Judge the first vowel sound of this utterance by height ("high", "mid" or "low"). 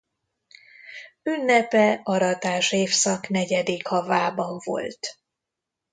high